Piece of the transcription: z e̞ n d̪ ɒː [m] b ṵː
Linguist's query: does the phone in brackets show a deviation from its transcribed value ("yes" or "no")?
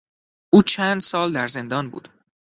yes